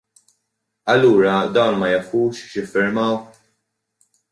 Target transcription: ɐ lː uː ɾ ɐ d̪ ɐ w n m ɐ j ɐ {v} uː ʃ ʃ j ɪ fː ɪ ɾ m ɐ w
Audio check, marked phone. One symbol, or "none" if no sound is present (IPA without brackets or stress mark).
f